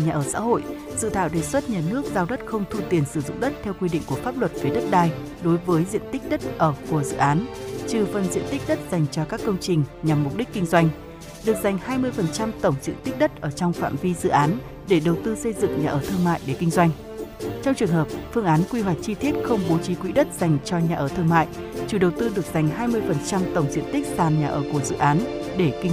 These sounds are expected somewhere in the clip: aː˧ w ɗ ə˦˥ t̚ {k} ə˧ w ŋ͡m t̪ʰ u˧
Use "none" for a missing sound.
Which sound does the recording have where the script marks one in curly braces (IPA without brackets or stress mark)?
x